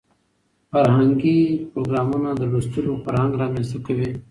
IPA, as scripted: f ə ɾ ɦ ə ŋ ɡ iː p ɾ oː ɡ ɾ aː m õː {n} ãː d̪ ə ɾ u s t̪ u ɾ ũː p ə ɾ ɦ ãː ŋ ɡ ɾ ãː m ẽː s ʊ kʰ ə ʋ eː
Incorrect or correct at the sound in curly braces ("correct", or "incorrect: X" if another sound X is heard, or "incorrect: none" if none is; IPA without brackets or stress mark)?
correct